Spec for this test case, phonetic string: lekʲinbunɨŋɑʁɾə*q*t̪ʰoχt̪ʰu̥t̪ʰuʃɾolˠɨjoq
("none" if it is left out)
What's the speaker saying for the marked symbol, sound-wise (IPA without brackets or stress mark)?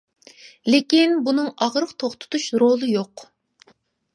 q